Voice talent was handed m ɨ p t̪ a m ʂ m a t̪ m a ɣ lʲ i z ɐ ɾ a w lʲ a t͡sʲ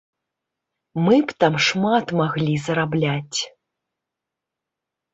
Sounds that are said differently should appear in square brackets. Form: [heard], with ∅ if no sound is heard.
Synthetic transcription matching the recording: m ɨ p t̪ a m ʂ m a t̪ m a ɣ lʲ i z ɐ ɾ a [b] lʲ a t͡sʲ